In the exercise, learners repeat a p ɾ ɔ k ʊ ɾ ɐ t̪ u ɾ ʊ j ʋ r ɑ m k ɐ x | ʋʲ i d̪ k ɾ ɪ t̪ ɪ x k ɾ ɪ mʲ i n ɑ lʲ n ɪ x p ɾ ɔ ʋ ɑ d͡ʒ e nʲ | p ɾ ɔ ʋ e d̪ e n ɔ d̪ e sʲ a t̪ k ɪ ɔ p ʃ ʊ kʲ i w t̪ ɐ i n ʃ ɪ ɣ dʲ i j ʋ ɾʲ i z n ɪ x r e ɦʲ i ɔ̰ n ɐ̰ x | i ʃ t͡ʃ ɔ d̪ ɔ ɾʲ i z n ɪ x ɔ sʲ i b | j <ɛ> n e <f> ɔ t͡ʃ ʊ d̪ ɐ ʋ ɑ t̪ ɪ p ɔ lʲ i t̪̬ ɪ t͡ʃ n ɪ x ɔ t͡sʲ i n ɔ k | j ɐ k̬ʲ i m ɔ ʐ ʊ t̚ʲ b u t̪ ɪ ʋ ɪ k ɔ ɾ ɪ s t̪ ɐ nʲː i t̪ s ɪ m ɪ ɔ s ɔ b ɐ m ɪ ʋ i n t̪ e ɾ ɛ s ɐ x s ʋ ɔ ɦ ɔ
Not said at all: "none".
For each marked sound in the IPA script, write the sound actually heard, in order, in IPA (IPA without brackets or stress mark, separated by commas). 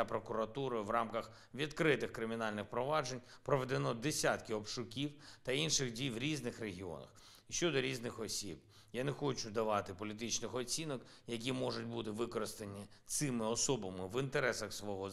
a, x